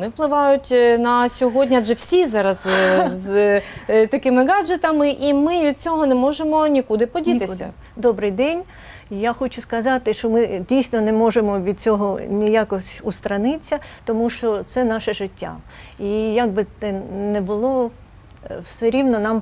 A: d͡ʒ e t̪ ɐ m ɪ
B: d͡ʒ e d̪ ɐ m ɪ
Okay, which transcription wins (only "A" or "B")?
A